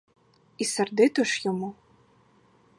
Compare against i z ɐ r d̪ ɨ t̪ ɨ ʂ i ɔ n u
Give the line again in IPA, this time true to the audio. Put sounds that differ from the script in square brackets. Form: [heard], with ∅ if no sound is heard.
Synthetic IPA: i [s] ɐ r d̪ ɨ t̪ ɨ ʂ [j] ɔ [m] u